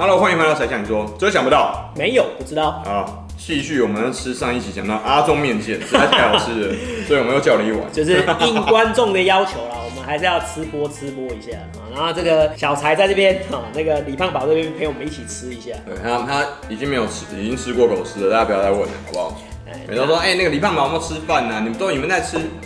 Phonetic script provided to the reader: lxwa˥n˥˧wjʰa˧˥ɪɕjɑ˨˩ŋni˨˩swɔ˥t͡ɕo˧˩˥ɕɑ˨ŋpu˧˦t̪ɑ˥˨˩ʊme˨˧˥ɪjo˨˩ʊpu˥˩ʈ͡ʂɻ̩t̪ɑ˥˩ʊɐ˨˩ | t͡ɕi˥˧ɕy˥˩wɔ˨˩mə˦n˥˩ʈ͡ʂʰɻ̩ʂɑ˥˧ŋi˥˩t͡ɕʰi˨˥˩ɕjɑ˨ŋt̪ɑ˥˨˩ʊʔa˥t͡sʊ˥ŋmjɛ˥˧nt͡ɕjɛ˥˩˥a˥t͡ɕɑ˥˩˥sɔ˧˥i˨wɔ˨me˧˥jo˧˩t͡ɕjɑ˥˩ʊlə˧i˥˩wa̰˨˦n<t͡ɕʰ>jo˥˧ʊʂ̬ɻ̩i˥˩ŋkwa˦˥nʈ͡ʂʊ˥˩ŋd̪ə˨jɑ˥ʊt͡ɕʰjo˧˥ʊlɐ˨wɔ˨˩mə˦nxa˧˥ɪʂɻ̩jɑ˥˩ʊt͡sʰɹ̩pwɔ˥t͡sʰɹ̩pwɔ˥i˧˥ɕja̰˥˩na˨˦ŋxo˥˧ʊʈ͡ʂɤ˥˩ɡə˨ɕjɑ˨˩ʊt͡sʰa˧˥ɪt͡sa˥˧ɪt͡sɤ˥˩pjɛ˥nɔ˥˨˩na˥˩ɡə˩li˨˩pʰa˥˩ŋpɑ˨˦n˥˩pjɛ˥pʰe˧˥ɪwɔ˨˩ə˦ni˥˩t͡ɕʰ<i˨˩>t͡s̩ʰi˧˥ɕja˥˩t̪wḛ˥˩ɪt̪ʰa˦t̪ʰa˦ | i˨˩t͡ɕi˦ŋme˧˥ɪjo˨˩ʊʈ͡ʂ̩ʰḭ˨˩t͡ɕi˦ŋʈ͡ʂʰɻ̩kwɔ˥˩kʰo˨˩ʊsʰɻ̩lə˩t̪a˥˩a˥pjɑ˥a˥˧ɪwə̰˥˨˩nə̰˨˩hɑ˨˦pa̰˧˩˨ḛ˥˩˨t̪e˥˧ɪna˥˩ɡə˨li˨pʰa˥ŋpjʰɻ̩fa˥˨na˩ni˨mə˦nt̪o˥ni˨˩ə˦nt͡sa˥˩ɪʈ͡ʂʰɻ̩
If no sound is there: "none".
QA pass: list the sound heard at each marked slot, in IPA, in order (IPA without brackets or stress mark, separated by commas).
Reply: t͡ɕ, i˨˩